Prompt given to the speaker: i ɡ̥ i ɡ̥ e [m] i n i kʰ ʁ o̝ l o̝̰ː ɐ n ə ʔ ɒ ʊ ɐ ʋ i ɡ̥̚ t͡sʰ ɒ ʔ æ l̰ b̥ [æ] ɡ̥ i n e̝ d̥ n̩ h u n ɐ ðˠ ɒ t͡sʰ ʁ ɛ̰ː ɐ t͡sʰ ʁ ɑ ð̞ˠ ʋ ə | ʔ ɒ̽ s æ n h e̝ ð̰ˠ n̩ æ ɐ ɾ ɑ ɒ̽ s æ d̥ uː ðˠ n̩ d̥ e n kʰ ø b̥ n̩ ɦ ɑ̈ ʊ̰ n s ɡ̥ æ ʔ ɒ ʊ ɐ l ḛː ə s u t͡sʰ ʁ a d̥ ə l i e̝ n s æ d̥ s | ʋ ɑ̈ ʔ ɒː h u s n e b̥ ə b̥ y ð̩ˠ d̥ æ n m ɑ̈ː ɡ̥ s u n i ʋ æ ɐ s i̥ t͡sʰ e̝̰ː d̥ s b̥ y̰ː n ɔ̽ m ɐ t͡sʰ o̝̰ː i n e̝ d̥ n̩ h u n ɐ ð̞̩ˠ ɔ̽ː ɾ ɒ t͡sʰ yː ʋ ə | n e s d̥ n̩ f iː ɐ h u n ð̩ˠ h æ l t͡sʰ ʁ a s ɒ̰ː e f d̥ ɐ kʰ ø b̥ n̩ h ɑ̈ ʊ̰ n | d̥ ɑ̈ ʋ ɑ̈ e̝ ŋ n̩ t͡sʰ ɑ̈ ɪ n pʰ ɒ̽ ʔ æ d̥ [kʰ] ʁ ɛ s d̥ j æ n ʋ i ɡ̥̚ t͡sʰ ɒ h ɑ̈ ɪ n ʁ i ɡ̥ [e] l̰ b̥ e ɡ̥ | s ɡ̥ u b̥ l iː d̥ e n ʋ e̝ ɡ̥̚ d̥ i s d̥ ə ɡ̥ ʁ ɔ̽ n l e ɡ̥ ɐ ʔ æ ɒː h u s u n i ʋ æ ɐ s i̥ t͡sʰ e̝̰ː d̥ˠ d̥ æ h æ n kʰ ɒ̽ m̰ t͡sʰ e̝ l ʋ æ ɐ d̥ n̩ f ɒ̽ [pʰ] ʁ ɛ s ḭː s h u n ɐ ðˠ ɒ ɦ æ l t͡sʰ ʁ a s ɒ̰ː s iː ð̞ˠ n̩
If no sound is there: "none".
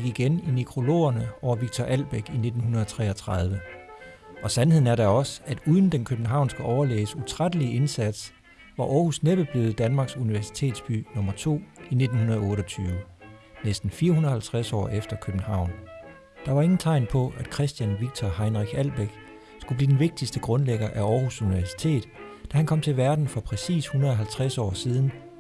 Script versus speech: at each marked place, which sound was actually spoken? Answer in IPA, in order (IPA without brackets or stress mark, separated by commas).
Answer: n, e, kʰ, æ, pʰ